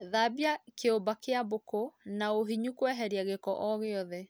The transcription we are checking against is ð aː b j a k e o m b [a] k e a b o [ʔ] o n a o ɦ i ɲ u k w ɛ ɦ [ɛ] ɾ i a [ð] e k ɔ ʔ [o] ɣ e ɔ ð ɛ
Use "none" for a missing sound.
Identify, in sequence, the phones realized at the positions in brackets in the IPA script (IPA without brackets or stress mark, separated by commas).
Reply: a, k, ɛ, ɣ, ɔ